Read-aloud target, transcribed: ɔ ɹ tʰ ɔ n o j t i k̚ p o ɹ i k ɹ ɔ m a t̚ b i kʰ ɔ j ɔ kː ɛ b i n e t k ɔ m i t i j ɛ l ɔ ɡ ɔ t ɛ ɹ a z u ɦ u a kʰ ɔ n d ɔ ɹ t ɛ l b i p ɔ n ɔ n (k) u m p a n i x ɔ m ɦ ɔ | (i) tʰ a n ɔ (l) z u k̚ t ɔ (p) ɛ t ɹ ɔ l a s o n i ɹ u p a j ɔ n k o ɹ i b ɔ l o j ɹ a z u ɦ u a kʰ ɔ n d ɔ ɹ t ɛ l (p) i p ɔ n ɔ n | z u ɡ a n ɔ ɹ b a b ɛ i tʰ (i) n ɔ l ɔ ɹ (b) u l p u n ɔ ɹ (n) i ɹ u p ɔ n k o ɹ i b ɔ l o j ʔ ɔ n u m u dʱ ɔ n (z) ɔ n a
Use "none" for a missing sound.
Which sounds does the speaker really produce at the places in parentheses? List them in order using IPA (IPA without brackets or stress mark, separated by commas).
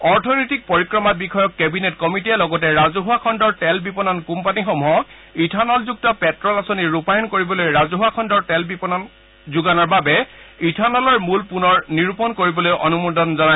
k, i, l, p, b, a, m, n, z